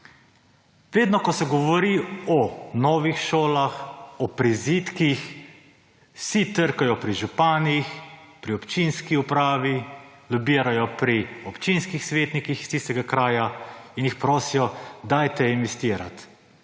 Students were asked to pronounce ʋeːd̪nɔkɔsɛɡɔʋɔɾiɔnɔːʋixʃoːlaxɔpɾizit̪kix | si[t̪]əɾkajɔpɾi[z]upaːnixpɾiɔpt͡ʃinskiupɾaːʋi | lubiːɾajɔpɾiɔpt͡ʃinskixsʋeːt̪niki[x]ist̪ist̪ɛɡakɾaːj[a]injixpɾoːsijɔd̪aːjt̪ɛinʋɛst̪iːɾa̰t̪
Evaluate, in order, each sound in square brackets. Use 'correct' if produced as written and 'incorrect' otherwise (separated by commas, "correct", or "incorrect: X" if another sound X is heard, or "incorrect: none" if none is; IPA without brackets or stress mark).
correct, incorrect: ʒ, correct, correct